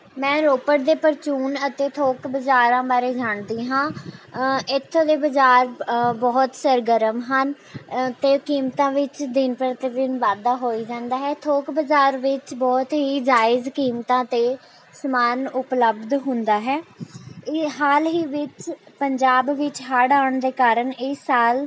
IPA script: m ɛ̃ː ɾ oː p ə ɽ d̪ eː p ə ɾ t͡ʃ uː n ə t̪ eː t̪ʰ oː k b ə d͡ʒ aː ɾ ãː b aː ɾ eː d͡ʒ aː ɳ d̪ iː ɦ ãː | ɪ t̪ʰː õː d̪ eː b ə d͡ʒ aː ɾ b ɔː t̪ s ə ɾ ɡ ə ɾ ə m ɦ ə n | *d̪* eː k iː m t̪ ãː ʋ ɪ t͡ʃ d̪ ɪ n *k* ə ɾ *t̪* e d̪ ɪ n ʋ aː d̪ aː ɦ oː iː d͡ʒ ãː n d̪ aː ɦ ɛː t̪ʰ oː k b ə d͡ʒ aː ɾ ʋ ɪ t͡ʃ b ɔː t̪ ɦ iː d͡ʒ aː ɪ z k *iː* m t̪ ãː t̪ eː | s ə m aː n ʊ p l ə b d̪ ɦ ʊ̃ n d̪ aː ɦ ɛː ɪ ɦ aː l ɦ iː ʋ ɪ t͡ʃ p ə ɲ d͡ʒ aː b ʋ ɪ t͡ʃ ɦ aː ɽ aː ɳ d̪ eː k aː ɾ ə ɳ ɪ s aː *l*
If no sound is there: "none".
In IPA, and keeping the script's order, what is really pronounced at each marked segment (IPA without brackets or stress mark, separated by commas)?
t̪, p, t̪, iː, l